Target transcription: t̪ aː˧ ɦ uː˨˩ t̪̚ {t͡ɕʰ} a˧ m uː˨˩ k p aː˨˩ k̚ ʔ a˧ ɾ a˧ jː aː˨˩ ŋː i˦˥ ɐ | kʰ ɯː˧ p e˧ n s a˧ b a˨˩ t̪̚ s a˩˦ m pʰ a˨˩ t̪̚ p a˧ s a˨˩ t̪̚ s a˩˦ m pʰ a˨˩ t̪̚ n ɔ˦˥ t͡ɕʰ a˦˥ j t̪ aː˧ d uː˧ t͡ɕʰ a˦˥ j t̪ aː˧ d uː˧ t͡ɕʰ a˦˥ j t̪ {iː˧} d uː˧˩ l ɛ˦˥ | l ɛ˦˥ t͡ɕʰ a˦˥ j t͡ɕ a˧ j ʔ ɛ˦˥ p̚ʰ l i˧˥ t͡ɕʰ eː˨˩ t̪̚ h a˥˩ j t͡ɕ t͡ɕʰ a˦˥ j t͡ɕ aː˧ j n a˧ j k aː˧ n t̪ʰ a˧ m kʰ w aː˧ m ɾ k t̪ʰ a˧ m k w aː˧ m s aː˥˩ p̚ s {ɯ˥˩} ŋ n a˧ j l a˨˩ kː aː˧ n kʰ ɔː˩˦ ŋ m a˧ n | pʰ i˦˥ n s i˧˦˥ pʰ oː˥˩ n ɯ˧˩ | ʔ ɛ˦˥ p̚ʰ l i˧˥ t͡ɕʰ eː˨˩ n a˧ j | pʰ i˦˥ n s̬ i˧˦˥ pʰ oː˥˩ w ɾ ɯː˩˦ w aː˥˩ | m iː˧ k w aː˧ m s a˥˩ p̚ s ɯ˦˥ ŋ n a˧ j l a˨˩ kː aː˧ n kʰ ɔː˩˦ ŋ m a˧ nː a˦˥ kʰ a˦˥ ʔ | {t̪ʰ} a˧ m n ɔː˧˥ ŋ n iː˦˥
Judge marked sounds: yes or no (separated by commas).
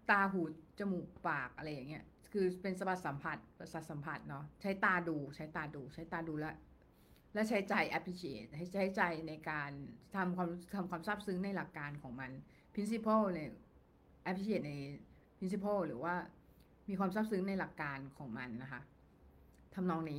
no, no, no, yes